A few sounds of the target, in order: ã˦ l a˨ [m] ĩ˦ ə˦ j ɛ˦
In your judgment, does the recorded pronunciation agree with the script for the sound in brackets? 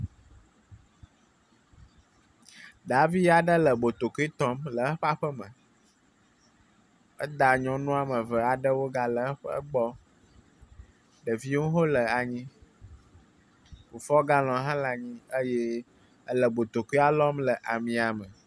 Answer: no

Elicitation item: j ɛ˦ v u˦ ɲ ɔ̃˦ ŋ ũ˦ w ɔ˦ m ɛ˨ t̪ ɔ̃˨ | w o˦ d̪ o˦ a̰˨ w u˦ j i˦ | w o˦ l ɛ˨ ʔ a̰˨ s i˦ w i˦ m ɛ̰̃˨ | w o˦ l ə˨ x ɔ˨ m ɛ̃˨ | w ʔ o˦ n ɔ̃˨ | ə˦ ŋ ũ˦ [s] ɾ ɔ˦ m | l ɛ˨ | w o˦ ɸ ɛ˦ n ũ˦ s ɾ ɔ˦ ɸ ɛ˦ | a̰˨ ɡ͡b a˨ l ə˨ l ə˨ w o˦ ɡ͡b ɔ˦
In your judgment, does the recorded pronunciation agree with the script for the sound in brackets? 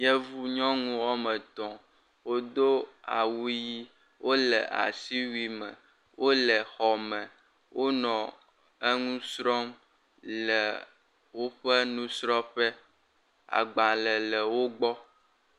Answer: yes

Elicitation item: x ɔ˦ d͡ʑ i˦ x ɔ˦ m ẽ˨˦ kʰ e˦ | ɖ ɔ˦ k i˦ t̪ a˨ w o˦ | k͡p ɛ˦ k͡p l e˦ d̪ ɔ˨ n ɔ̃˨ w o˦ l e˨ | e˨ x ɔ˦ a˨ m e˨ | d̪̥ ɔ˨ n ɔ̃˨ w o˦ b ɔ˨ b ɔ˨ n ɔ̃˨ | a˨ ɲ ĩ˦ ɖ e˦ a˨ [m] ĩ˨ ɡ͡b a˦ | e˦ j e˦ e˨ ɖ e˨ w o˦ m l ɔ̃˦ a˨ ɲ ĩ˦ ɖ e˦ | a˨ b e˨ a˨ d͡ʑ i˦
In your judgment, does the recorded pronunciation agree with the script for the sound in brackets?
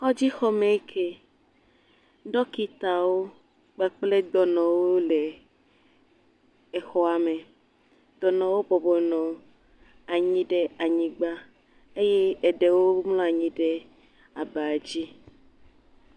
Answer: no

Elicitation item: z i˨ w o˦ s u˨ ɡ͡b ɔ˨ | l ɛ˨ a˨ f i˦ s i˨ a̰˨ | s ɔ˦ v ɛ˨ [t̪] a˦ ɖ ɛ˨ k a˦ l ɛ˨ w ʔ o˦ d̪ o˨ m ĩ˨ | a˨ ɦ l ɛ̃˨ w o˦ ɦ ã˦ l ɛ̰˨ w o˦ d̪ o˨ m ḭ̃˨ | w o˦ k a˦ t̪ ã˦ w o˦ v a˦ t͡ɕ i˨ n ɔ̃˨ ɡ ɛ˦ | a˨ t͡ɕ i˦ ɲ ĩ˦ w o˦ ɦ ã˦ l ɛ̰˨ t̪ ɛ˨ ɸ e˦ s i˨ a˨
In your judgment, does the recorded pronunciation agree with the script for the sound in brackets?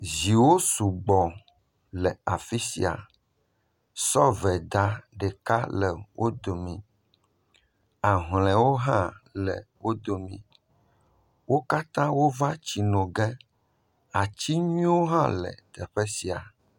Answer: no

